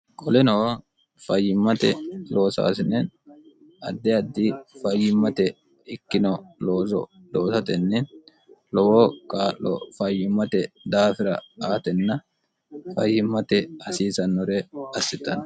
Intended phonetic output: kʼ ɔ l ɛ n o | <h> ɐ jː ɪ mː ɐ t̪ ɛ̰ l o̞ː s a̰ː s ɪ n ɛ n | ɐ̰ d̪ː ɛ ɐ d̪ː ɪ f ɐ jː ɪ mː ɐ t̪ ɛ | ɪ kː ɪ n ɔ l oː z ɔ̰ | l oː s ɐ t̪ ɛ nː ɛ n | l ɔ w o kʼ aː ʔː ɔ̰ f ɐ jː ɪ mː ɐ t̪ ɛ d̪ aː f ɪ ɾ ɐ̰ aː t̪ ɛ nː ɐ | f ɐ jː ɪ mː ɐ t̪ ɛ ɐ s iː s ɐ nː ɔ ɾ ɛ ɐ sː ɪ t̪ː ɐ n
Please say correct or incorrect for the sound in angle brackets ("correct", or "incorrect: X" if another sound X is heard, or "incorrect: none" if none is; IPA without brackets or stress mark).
incorrect: f